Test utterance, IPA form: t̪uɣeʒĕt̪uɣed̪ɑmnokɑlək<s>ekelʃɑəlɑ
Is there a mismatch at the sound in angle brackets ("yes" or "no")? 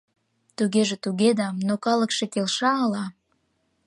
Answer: yes